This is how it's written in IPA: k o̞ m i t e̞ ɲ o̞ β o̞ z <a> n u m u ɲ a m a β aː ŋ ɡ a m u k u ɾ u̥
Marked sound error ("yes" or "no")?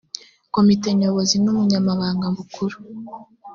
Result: yes